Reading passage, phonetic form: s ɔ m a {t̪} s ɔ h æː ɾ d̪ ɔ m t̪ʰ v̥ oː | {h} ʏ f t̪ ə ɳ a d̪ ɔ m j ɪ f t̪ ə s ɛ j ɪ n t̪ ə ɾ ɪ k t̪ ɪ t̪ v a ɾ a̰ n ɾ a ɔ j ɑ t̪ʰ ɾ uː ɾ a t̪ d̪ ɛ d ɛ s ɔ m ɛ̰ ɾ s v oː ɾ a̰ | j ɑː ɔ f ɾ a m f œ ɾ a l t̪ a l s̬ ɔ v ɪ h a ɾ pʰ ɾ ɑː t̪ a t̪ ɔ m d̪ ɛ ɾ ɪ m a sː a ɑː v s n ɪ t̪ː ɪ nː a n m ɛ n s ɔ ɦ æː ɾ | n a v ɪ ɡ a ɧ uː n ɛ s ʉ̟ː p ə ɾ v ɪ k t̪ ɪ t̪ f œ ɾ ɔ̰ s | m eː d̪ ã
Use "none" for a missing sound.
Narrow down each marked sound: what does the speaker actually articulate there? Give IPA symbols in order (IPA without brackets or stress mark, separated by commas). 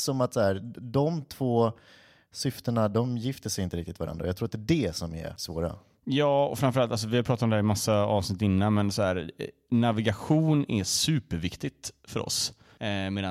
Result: t̪, s